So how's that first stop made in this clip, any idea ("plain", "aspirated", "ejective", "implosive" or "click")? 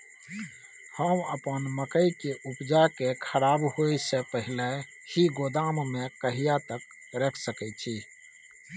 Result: plain